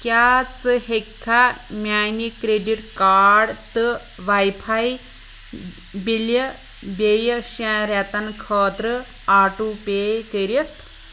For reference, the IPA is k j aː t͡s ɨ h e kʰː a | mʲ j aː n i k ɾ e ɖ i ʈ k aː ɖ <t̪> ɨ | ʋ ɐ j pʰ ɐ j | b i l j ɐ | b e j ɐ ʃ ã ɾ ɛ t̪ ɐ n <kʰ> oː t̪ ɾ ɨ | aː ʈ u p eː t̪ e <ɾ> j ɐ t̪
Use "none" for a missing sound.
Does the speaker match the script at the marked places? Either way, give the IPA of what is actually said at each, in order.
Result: t̪, kʰ, ɾ

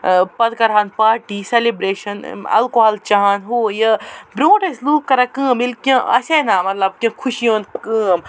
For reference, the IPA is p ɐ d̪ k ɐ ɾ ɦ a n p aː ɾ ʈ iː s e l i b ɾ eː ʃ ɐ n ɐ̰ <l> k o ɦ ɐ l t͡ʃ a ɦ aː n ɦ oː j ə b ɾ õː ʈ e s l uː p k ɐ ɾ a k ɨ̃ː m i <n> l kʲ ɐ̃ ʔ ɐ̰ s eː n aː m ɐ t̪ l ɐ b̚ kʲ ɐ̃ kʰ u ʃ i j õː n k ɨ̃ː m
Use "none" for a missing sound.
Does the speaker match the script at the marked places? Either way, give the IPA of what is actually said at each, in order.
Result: l, none

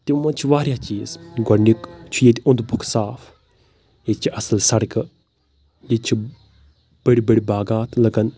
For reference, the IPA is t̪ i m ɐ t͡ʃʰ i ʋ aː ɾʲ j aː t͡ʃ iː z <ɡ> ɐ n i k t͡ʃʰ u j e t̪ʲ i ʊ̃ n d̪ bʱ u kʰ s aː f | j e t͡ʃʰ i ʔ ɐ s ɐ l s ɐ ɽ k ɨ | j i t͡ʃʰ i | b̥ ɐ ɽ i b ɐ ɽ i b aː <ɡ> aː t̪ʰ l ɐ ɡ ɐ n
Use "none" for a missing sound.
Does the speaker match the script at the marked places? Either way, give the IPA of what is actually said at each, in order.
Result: ɡ, ɡ

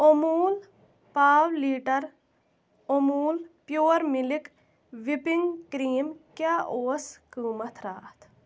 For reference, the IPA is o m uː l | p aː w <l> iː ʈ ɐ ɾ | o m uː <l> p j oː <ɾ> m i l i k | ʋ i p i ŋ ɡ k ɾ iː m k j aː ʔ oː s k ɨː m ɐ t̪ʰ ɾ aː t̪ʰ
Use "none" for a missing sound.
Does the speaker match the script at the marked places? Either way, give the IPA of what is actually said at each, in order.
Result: l, l, ɾ

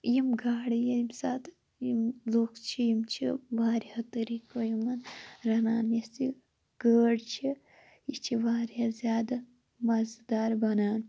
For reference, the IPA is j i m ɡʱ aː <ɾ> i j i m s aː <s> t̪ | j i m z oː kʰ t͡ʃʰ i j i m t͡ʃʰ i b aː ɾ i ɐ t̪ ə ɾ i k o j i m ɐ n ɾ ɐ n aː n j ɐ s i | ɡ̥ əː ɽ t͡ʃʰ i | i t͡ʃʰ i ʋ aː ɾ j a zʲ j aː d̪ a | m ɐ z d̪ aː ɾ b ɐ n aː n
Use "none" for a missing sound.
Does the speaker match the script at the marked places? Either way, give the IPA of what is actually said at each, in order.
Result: ɽ, none

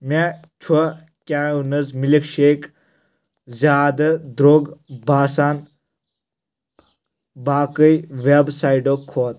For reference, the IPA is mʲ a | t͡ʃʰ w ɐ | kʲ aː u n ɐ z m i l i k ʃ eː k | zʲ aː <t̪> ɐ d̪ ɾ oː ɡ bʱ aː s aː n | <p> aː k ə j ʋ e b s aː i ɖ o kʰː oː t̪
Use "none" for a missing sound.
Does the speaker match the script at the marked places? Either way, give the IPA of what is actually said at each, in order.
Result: d̪, b

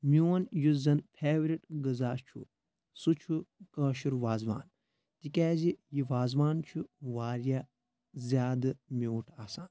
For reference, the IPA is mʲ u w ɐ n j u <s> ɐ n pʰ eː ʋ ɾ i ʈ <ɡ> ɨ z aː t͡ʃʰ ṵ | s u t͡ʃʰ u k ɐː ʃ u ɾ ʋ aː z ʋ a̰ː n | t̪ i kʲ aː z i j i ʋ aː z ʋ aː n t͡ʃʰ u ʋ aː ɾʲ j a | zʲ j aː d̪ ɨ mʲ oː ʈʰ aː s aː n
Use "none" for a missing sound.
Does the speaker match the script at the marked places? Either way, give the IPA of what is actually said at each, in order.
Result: z, ɡ

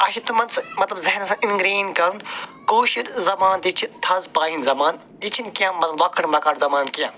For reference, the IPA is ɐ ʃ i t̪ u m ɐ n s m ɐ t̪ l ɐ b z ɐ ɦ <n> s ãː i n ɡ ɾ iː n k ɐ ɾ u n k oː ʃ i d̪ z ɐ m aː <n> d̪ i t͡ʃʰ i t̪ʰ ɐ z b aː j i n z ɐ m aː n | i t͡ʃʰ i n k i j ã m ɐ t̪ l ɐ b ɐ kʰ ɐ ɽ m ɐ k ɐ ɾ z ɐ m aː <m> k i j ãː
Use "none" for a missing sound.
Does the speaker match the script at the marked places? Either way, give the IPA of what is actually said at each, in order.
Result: n, n, n

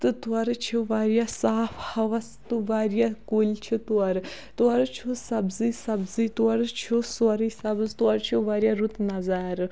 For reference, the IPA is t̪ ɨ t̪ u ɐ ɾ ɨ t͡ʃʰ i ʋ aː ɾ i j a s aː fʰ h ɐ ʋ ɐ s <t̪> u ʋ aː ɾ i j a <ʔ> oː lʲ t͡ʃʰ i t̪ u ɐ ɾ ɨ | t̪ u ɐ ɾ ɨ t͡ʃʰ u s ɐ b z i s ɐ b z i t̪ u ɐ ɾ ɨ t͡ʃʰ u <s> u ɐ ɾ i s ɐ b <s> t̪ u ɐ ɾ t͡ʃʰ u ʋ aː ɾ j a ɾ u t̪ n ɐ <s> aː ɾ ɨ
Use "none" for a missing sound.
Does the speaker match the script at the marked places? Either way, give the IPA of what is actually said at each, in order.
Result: t̪, k, s, z, z

